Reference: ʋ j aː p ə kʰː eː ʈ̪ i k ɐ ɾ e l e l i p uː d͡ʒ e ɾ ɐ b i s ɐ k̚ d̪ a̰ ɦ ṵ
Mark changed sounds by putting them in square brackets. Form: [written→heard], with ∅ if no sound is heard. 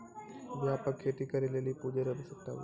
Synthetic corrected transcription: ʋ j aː p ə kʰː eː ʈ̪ i k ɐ ɾ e l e l i p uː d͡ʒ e ɾ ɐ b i s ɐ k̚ [d̪→t̪] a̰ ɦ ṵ

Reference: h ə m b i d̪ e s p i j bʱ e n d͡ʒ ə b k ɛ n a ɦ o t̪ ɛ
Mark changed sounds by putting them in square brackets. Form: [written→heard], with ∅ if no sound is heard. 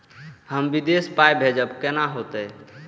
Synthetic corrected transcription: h ə m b i d̪ e s p [i→a] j bʱ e [n→∅] d͡ʒ ə b k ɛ n a ɦ o t̪ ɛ

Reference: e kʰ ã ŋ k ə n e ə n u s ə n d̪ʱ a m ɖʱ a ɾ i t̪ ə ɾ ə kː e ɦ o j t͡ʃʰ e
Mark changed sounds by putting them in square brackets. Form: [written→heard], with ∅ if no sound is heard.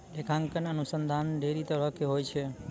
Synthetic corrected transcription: e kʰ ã ŋ k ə n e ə n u s ə n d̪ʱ a [m→n] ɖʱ [a→e] ɾ i t̪ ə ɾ ə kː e ɦ o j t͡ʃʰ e

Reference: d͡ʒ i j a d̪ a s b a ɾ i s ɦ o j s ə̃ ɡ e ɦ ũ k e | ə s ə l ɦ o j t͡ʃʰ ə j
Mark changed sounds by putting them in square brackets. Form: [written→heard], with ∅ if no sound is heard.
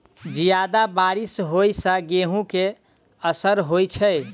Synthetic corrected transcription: d͡ʒ i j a d̪ a [s→∅] b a ɾ i s ɦ o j s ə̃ ɡ e ɦ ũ k e | ə s ə [l→ɾ] ɦ o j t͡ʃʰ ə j

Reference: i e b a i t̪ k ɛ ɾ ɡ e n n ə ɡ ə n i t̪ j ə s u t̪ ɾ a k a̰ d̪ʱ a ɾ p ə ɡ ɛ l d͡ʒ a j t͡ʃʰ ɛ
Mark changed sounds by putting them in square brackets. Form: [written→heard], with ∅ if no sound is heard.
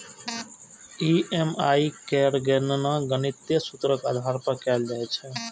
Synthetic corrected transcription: i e [b→m] a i [t̪→∅] k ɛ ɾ ɡ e n n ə ɡ ə n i t̪ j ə s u t̪ ɾ [a→ə] k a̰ d̪ʱ a ɾ p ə [ɡ→k] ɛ l d͡ʒ a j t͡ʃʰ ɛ

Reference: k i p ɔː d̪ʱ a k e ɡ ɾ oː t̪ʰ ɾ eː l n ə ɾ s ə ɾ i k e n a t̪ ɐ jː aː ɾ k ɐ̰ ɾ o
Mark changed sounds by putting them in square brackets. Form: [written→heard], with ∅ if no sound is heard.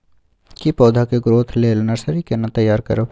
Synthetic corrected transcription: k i p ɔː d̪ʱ a k e ɡ ɾ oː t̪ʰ [ɾ→l] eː l n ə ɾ s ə ɾ i k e n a t̪ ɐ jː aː ɾ k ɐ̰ ɾ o

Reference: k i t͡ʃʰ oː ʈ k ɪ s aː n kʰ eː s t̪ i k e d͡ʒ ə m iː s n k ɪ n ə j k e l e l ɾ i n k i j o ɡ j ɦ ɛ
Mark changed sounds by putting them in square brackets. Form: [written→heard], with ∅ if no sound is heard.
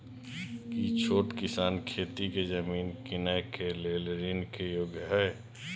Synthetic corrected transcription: k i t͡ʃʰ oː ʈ k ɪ s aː n kʰ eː [s→∅] t̪ i k e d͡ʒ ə m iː [s→∅] n k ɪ n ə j k e l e l ɾ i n k [i→e] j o ɡ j ɦ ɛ

